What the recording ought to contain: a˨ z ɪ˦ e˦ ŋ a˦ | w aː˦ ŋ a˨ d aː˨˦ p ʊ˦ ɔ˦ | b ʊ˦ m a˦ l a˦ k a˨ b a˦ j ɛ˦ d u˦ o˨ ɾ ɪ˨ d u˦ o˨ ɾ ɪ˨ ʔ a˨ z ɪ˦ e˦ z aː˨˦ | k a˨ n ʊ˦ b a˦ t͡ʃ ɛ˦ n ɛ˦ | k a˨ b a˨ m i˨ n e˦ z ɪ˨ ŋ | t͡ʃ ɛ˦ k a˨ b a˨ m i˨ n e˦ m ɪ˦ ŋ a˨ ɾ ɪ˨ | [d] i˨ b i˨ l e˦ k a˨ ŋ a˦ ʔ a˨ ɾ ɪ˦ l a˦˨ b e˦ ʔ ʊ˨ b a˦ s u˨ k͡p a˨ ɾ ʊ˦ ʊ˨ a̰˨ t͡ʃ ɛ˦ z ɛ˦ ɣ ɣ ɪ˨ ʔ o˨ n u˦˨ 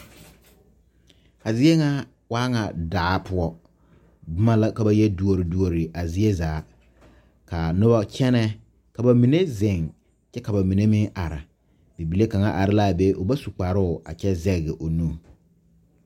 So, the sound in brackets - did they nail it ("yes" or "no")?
no